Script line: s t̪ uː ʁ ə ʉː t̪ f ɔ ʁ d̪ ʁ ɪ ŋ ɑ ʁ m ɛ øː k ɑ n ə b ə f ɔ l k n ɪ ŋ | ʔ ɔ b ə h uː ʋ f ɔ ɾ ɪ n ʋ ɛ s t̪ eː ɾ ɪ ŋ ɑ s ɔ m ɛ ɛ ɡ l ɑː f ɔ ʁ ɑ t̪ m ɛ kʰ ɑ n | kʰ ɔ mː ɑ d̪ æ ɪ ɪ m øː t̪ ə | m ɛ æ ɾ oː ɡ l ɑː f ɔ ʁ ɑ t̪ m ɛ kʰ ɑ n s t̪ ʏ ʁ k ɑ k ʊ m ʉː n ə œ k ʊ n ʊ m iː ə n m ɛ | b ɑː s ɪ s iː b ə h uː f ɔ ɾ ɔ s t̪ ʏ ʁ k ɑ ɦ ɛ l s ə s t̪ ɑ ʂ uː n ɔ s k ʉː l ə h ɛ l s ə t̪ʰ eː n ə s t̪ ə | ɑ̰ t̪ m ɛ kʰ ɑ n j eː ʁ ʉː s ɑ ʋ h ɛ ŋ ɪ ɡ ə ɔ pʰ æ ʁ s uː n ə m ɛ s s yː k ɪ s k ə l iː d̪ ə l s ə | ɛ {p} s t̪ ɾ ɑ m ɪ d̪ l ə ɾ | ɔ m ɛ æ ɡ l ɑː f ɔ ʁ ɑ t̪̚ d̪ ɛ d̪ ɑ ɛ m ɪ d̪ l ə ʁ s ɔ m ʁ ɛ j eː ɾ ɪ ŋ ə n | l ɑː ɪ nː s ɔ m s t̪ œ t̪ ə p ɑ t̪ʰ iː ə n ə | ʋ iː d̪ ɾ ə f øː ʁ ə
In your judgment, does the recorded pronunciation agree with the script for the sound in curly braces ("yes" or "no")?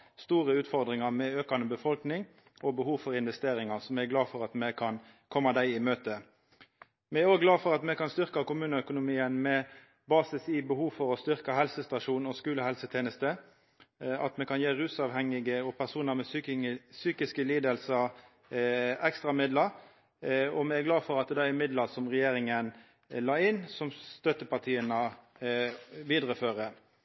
no